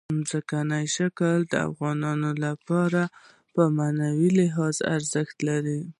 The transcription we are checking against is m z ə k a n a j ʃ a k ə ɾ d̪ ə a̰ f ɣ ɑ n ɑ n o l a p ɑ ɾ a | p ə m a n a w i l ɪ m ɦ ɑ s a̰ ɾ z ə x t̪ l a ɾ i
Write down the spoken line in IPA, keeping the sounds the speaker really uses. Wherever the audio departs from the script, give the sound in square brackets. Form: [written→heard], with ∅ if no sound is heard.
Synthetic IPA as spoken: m z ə k a n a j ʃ a k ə [ɾ→l] d̪ ə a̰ f ɣ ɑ n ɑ n o l a p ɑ ɾ a | p ə m a n a w i l ɪ [m→∅] ɦ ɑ [s→z] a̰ ɾ z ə x t̪ l a ɾ i